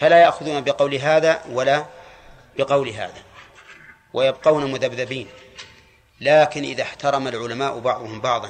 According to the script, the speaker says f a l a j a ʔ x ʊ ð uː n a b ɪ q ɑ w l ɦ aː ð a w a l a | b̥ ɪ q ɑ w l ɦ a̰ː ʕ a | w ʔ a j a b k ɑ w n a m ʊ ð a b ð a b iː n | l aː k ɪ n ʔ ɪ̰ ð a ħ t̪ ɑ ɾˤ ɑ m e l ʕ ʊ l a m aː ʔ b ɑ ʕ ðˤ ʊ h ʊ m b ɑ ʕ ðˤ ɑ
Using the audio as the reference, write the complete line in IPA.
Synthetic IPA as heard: f a l a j a ʔ x ʊ ð uː n a b ɪ q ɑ w l ɦ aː ð a w a l a | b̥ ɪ q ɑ w l ɦ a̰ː ð a | w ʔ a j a b q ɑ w n a m ʊ ð a b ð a b iː n | l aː k ɪ n ʔ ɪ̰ ð a ħ t̪ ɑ ɾˤ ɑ m a l ʕ ʊ l a m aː ʔ b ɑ ʕ ðˤ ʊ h ʊ m b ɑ ʕ ðˤ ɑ